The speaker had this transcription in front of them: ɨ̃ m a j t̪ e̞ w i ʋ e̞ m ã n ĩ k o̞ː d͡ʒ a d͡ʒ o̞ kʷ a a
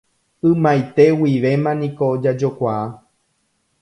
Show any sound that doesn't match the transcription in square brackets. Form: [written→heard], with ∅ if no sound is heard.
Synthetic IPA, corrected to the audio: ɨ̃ m a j t̪ e̞ w i ʋ e̞ m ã n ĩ k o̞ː d͡ʒ a d͡ʒ o̞ kʷ a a